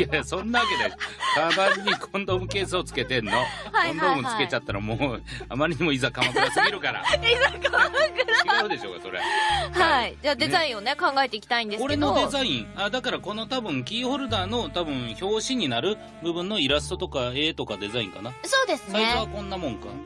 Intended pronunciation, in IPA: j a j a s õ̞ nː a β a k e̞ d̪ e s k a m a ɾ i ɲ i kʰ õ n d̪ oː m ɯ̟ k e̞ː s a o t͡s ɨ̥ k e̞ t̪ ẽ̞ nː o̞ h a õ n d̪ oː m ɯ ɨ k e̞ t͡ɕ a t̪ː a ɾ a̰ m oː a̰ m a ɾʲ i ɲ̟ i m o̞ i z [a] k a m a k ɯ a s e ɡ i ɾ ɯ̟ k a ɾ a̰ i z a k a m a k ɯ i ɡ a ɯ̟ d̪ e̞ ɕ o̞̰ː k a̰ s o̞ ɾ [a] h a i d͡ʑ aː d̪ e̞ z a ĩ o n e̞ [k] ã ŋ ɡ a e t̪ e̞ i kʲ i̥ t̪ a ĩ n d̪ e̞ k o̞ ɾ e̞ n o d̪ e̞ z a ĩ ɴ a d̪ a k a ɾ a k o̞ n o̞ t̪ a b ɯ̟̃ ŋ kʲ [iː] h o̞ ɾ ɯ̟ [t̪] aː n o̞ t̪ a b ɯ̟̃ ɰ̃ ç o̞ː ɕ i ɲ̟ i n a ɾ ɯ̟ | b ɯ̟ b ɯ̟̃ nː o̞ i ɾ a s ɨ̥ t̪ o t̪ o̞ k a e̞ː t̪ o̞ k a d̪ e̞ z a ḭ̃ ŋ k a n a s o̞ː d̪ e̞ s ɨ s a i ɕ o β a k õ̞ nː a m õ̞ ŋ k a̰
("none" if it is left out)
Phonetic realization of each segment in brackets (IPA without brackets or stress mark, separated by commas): a, e, k, iː, d̪